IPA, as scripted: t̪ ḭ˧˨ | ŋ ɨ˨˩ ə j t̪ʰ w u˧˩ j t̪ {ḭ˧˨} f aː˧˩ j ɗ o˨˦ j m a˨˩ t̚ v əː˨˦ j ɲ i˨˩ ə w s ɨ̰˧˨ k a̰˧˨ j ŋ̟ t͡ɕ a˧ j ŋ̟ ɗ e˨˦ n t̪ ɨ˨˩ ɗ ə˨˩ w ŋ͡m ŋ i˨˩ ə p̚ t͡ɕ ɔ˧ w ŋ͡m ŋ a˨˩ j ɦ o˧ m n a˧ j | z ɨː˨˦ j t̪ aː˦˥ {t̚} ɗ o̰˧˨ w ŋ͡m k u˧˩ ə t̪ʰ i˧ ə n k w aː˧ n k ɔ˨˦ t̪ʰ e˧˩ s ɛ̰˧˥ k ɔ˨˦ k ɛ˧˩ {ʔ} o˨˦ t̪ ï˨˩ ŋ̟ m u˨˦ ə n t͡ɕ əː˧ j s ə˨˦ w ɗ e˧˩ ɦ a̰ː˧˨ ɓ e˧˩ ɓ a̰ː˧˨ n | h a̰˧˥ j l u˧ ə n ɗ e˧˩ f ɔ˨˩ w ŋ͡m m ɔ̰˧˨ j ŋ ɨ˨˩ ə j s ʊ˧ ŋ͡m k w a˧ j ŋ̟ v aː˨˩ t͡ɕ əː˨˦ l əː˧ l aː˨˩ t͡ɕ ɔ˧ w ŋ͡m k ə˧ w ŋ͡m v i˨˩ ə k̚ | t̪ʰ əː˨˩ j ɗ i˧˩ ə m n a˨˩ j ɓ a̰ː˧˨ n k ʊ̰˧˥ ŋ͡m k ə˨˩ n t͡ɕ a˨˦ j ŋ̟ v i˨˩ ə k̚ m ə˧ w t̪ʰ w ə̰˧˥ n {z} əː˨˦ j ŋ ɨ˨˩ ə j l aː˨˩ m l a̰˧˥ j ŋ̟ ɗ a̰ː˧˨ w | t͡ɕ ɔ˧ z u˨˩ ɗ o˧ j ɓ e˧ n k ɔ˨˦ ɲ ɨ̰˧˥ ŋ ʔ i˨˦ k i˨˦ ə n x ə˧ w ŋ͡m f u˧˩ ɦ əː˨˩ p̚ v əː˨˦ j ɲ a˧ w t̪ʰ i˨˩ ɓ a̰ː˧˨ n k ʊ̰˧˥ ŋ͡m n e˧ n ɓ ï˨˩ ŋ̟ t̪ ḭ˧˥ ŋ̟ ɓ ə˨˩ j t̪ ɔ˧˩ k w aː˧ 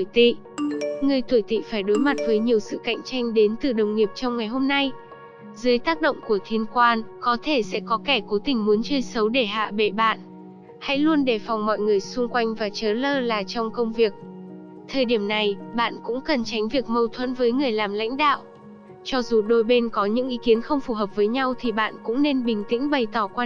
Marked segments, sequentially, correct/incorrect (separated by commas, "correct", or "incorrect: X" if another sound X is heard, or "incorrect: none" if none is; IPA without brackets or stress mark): correct, incorrect: k̚, incorrect: k, incorrect: v